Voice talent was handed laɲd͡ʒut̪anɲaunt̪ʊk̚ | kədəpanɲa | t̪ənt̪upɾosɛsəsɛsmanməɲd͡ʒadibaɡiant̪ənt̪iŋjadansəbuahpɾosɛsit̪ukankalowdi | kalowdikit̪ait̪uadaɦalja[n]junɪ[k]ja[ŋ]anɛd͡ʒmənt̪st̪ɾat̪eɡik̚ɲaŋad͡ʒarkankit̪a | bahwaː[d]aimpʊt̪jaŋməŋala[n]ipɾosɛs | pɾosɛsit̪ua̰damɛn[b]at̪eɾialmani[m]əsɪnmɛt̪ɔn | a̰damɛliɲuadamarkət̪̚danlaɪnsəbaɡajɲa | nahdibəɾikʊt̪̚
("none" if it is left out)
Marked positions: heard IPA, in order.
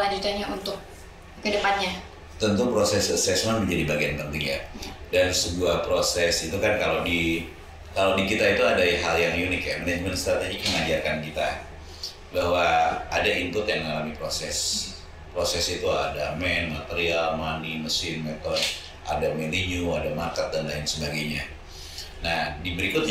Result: ŋ, k, m, d, m, m, m

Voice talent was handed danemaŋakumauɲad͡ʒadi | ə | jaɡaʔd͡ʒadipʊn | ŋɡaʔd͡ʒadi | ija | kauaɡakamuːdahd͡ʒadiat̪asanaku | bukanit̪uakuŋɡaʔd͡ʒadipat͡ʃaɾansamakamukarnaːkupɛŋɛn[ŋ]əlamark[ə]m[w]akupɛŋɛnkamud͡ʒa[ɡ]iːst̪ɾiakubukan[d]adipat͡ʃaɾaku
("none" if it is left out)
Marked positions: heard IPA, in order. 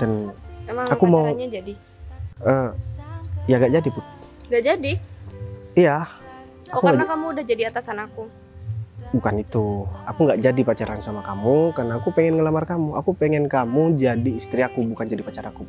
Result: ŋ, a, u, d, d͡ʒ

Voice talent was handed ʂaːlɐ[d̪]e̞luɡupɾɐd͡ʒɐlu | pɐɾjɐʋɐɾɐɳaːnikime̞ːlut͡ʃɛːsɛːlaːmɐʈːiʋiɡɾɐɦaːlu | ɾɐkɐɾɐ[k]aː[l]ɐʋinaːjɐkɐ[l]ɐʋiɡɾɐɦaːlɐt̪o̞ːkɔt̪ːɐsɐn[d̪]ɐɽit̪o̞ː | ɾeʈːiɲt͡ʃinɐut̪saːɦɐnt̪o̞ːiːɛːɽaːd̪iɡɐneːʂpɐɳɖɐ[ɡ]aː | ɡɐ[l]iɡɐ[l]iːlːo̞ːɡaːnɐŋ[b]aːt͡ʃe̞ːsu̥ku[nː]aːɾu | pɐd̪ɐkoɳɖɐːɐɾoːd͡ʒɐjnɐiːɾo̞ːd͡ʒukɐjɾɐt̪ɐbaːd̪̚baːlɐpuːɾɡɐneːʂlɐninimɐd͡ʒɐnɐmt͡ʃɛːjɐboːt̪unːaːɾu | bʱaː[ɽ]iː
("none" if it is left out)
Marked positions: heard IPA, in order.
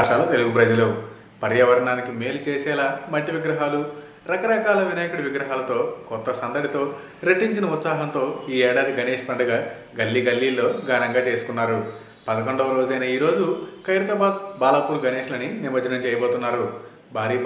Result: t̪, k, l, ɽ, d̪, ɡ, lː, lː, ɡ, nː, ɾ

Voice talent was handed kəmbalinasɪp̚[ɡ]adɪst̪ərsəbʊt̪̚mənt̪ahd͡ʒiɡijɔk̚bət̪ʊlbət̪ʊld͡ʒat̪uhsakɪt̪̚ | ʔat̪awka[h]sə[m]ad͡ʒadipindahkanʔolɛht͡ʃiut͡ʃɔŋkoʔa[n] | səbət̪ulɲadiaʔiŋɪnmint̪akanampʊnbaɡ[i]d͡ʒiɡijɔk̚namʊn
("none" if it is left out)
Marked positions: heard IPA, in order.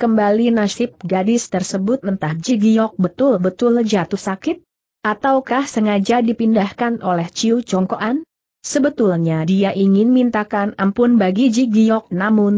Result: ɡ, h, ŋ, n, i

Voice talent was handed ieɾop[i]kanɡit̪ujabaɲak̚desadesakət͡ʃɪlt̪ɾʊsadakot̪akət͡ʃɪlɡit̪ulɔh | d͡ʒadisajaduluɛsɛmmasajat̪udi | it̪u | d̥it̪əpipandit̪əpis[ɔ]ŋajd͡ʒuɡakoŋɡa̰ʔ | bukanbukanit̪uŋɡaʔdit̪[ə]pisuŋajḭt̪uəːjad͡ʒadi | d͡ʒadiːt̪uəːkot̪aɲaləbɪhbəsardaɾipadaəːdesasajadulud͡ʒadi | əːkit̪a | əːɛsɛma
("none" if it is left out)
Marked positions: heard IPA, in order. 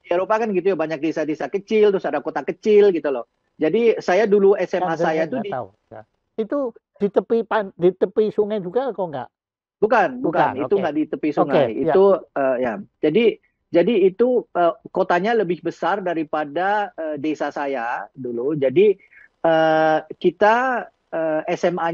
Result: a, u, ə

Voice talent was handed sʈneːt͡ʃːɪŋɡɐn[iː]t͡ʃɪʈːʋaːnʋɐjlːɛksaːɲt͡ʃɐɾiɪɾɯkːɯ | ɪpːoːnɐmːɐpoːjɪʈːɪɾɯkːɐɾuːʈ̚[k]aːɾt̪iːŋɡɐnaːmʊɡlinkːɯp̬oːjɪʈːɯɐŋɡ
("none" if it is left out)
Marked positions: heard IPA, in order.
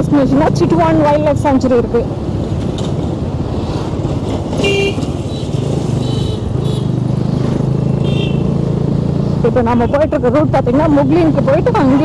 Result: aː, p

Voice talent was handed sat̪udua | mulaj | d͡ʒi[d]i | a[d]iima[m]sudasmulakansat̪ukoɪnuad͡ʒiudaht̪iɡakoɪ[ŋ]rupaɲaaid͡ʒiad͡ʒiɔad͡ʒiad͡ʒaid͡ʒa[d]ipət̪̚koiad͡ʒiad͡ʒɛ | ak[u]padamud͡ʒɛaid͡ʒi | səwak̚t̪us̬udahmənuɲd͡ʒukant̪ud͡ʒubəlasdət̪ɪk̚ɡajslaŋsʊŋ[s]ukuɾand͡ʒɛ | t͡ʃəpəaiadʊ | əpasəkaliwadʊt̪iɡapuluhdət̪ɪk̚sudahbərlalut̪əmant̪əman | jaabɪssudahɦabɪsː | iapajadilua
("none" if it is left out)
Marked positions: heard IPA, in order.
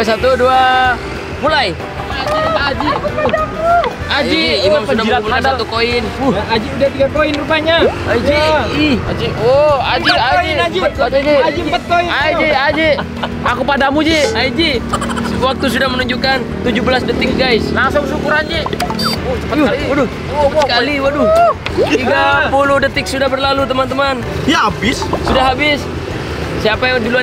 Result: d͡ʒ, d͡ʒ, m, n, d͡ʒ, u, s

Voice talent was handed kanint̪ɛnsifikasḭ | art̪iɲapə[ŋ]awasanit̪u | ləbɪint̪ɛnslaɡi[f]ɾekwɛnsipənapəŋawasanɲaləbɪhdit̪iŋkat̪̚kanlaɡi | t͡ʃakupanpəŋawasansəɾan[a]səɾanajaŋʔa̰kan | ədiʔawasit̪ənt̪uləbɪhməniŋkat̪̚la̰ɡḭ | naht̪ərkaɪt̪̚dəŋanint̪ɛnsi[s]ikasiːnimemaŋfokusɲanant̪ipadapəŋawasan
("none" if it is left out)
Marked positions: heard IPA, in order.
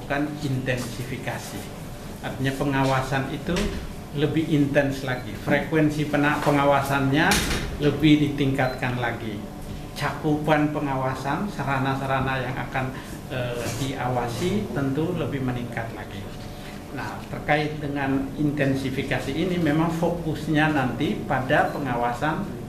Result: ŋ, f, a, f

